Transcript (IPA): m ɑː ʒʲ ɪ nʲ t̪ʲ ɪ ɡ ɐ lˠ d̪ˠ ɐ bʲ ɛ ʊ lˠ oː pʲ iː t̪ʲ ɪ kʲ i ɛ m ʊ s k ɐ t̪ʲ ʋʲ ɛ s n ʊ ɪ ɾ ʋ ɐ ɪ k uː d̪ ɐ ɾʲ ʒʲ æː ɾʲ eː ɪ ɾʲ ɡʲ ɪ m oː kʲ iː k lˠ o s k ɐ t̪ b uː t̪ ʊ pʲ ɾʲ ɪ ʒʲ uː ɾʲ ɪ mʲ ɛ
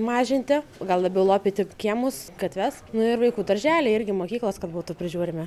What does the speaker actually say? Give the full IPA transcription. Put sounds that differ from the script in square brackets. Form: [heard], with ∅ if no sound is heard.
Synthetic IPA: m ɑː ʒʲ ɪ nʲ t̪ʲ ɪ ɡ ɐ lˠ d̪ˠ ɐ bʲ ɛ ʊ lˠ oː pʲ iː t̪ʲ ɪ kʲ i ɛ m ʊ s k ɐ t̪ʲ ʋʲ ɛ s n ʊ ɪ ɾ ʋ ɐ ɪ k uː d̪ ɐ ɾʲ ʒʲ æː [lʲ] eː ɪ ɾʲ ɡʲ ɪ m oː kʲ iː k lˠ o s k ɐ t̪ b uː t̪ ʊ pʲ ɾʲ ɪ ʒʲ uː ɾʲ ɪ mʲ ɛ